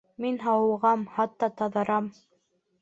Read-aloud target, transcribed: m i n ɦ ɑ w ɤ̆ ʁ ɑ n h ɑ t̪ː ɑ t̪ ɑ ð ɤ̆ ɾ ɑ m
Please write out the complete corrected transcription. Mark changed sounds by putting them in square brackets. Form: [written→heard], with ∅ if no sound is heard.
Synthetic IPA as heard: m i n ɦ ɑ w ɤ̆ ʁ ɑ [n→m] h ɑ t̪ː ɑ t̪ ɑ ð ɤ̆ ɾ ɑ m